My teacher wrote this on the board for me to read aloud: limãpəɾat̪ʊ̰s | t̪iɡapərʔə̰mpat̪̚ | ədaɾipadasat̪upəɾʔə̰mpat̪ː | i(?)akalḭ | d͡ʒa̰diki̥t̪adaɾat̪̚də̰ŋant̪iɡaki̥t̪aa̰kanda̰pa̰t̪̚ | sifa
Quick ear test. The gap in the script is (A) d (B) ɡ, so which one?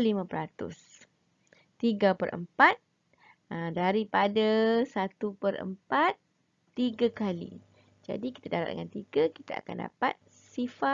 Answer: B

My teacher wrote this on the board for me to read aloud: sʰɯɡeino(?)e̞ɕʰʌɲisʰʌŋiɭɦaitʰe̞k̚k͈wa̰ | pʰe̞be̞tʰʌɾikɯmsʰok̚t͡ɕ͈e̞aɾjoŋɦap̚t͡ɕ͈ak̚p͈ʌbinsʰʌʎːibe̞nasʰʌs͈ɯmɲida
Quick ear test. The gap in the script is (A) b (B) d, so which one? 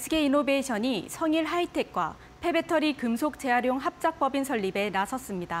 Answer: A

